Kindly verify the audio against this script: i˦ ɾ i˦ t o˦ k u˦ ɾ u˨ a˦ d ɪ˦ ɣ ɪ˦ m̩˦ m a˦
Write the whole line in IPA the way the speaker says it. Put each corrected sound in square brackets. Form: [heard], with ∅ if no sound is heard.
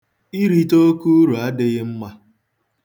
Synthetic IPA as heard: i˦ ɾ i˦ t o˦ k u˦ ɾ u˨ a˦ d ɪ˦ ɣ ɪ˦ m̩˦ m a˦